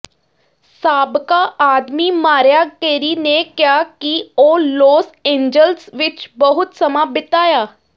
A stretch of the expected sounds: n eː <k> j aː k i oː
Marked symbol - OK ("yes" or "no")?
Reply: yes